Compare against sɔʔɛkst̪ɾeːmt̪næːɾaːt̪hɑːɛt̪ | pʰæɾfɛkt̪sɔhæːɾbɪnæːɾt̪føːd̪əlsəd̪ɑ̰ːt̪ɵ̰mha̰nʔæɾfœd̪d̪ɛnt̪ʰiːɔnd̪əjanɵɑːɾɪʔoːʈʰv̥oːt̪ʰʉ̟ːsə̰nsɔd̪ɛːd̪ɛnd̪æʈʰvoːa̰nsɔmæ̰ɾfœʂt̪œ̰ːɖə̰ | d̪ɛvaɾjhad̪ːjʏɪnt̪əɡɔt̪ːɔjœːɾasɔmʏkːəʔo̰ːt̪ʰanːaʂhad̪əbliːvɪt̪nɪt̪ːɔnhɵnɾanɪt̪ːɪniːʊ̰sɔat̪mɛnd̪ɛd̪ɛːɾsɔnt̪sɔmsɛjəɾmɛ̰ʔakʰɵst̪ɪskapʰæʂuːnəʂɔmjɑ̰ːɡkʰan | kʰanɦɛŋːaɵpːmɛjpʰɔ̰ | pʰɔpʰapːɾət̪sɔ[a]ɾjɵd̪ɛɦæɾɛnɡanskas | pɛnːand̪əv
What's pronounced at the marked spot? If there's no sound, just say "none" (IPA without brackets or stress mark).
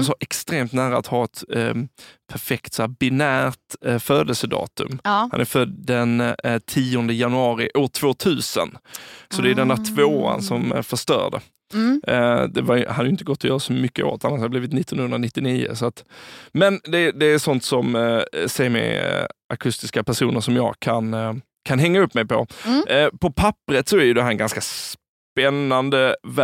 æ